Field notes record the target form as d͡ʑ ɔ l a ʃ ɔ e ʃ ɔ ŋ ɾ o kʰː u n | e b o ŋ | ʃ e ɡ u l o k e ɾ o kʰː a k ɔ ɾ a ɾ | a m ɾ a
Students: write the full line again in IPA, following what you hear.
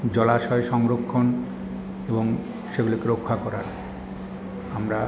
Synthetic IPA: d͡ʑ ɔ l a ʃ ɔ e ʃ ɔ ŋ ɾ o kʰː o n | e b o ŋ | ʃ e ɡ u l o k e ɾ o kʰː a k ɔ ɾ a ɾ | a m ɾ a